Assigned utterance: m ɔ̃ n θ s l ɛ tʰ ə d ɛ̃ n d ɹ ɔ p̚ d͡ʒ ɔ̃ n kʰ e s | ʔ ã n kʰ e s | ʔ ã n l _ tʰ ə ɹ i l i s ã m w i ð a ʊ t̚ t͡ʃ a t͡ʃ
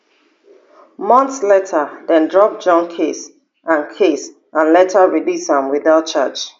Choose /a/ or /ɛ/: ɛ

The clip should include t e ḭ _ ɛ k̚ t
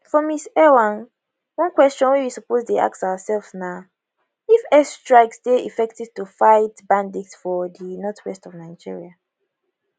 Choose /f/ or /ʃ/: f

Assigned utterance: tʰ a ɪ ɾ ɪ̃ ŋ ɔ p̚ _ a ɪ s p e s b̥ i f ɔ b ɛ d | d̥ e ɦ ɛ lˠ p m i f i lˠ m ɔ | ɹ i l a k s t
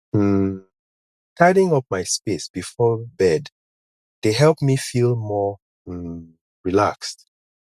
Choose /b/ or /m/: m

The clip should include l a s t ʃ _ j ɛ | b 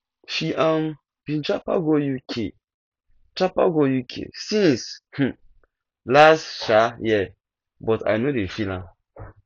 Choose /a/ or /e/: a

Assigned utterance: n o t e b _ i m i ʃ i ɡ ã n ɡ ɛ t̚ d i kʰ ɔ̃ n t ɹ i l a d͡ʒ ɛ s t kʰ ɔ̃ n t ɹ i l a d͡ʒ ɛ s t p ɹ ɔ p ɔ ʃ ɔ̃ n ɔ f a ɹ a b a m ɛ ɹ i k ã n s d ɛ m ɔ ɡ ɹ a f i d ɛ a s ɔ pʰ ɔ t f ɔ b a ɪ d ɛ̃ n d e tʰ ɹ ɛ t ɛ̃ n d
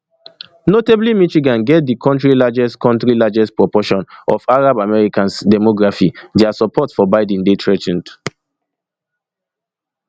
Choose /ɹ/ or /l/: l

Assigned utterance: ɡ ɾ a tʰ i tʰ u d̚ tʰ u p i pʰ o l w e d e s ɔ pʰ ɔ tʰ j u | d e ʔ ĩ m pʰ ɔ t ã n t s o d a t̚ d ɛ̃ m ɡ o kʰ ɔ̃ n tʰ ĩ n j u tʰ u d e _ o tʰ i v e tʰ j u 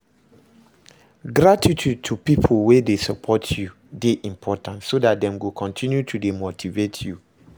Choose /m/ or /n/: m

